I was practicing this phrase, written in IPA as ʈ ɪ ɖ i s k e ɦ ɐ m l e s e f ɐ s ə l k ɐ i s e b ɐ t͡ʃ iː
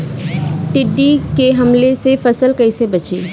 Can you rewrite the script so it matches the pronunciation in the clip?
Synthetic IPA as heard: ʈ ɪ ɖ i k e ɦ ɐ m l e s e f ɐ s ə l k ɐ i s e b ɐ t͡ʃ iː